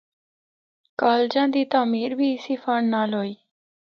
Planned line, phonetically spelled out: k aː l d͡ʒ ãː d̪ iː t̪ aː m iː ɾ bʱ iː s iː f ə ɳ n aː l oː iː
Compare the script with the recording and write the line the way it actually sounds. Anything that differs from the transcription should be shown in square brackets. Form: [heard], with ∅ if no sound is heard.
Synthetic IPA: k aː l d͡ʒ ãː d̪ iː t̪ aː m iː ɾ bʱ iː s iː f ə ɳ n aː l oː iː